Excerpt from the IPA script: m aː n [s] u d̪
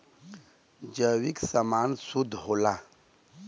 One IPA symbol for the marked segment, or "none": s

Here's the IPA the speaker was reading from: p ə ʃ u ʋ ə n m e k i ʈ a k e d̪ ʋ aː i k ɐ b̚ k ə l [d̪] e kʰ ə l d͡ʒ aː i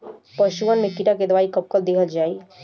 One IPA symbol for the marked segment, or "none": d̪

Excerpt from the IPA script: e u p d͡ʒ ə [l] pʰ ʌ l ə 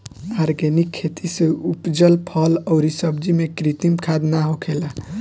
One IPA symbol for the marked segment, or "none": l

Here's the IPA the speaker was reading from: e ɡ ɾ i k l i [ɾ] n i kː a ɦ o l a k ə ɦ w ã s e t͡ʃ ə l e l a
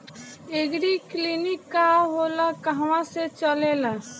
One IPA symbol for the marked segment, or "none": none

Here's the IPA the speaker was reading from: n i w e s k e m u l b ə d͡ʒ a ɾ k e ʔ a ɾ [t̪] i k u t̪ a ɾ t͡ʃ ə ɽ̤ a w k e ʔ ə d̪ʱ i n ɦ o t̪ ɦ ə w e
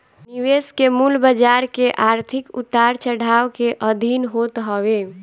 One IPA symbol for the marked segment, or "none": t̪ʰ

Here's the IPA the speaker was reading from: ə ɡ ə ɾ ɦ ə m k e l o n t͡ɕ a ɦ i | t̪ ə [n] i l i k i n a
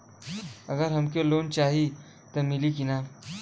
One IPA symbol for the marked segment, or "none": m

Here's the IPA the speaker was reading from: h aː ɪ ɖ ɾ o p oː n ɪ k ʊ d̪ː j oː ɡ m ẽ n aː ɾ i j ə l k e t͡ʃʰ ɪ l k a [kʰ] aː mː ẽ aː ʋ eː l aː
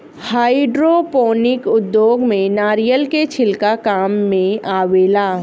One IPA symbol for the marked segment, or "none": k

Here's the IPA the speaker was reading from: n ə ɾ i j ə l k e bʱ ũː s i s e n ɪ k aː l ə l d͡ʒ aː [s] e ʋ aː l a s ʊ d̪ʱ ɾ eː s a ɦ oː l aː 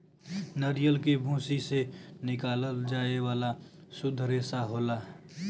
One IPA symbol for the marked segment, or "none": none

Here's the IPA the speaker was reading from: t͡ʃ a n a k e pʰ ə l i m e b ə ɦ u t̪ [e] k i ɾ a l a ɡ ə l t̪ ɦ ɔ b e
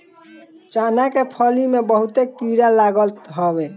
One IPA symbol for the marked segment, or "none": e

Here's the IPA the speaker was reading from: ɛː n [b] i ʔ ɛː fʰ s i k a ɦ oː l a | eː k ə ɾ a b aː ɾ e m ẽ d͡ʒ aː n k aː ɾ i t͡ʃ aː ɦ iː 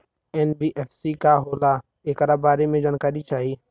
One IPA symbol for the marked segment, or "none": b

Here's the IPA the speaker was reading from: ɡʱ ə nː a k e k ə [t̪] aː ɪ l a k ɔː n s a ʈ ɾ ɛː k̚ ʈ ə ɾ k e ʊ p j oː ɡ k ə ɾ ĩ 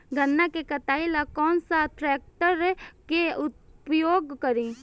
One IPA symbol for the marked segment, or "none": t̪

